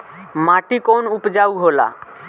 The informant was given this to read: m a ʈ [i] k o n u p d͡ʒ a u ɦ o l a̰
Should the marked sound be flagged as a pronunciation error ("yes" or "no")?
no